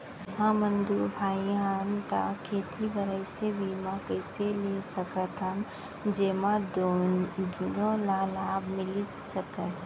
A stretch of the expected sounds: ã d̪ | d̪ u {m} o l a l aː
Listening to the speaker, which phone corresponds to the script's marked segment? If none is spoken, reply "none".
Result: n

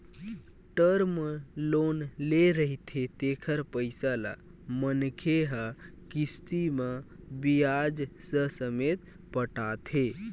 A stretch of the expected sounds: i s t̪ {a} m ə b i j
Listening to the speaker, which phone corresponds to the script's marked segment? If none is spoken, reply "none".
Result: i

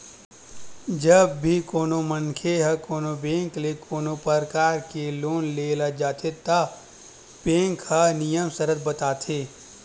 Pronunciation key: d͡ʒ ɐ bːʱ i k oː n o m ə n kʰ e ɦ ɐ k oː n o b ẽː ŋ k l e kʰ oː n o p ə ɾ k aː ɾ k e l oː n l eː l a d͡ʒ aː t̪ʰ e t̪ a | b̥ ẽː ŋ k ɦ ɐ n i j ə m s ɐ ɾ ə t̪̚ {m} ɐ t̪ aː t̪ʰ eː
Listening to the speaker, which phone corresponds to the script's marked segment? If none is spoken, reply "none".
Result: b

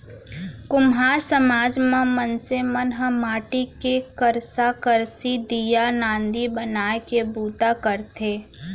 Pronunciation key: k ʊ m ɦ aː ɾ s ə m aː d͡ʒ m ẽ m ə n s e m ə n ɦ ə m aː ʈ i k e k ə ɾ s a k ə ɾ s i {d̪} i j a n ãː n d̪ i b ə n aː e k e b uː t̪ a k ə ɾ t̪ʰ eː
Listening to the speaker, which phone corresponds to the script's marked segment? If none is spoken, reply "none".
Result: d̪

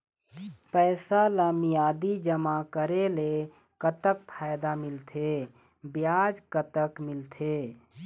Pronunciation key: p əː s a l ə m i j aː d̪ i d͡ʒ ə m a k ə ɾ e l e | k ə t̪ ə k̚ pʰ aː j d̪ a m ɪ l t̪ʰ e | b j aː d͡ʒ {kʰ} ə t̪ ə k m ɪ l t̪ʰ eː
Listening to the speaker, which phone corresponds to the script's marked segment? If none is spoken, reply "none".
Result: k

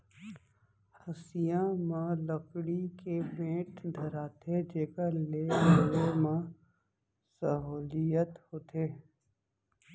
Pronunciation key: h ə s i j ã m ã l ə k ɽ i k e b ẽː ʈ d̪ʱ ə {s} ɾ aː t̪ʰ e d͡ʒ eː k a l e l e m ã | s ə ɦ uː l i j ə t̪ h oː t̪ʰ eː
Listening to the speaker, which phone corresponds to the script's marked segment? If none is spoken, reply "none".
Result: none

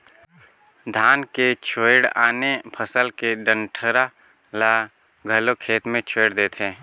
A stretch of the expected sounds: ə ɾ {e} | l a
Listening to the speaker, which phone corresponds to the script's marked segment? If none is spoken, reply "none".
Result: a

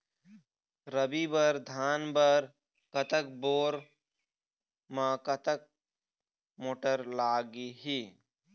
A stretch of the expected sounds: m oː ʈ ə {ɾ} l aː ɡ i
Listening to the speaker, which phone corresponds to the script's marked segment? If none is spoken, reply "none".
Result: ɾ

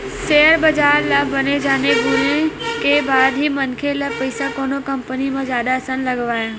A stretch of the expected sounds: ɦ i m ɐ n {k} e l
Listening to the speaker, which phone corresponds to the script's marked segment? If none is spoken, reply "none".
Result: kʰ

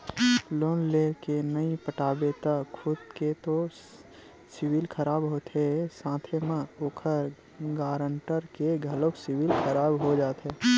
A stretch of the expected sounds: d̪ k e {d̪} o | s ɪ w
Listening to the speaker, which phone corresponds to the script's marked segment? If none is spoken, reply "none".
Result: t̪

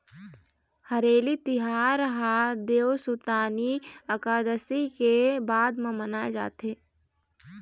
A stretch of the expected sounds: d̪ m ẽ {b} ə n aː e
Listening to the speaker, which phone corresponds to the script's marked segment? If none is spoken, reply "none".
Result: m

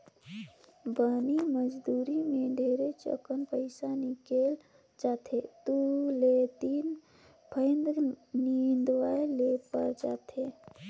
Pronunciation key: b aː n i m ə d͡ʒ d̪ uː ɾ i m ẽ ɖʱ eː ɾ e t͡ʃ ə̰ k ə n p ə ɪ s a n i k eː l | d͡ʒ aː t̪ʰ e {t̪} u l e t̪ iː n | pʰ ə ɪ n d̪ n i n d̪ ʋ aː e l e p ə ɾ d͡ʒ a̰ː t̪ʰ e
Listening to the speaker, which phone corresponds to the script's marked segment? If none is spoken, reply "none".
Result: t̪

